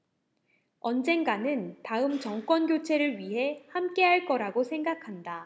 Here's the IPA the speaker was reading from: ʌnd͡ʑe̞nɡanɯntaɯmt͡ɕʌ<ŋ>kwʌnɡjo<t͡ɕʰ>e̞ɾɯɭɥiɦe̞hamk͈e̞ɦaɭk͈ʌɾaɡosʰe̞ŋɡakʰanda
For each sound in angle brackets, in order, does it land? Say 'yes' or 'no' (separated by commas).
yes, yes